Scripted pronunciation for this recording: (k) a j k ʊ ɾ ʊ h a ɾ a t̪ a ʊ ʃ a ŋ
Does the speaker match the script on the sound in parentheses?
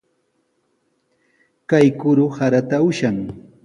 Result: yes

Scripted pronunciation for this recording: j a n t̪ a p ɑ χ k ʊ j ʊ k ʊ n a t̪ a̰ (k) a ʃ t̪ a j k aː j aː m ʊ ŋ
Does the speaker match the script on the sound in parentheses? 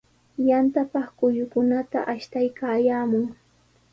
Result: no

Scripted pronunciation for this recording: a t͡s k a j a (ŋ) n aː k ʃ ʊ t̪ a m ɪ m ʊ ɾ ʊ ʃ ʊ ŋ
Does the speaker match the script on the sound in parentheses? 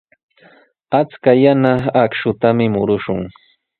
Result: no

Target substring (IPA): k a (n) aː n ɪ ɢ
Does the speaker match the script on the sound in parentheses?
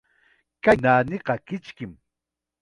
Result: yes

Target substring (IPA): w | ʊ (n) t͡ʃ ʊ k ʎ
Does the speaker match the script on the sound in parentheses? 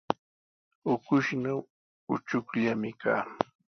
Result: no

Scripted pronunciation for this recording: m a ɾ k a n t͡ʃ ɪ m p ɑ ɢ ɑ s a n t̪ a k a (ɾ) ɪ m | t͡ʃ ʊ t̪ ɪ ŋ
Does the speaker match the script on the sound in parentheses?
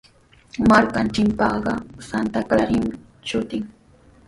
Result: yes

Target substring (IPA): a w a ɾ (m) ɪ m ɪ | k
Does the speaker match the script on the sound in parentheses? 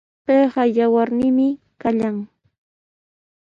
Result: no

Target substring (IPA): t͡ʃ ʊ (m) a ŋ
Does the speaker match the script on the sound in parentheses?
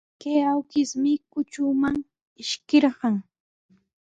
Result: yes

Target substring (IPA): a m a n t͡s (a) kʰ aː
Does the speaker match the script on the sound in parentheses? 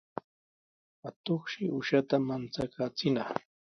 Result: yes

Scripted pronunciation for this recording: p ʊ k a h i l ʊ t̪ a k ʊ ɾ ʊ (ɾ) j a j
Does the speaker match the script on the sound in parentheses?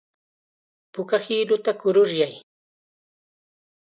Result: yes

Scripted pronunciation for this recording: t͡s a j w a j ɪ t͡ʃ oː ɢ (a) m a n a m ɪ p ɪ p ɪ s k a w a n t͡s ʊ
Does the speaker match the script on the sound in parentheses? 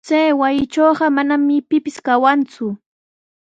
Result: no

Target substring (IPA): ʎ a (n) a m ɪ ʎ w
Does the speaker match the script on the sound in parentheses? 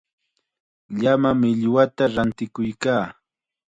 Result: no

